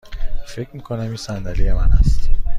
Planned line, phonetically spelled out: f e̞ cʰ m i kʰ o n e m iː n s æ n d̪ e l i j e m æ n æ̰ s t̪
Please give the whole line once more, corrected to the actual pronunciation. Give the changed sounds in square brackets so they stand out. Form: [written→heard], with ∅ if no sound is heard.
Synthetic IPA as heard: f e̞ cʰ m i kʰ o n [e→æ] m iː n s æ n d̪ [e→æ] l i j e m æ n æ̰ s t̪